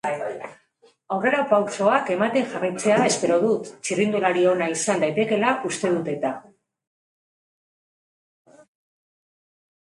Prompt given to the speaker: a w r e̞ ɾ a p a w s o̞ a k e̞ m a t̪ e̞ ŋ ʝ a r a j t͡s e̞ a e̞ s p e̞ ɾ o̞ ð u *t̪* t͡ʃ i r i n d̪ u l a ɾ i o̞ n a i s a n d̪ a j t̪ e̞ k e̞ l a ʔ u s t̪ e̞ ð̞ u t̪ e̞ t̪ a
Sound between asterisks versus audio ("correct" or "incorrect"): correct